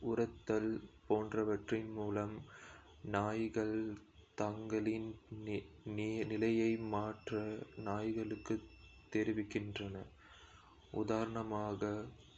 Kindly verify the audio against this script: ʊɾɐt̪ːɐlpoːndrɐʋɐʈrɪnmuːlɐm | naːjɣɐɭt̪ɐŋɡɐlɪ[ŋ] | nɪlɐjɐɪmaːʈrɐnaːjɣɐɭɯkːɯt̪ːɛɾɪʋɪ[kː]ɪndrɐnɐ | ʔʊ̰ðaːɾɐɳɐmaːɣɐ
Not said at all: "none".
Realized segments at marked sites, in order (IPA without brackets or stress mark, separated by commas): n, kː